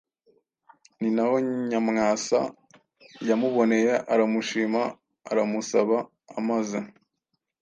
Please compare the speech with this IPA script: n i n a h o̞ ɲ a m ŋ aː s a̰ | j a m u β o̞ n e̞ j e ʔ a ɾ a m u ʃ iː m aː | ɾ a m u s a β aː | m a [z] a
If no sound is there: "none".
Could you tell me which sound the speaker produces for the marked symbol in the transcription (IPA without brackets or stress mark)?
z